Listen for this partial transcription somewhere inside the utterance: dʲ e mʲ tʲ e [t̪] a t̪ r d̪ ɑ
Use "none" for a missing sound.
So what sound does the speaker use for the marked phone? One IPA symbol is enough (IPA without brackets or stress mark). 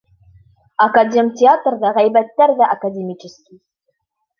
none